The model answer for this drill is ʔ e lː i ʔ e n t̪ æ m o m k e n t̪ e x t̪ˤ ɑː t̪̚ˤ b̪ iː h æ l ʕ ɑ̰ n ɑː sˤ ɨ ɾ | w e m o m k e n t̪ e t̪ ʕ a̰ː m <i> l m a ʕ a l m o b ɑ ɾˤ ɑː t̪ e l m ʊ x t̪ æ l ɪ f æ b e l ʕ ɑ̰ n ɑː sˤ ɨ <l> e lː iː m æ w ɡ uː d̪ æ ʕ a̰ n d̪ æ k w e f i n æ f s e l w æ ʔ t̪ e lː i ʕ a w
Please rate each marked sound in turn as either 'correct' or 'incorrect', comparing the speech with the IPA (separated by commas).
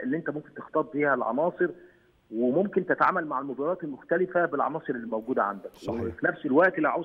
incorrect, incorrect